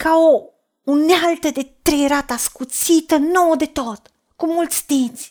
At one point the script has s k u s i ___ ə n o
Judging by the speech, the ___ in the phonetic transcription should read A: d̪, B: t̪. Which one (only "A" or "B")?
B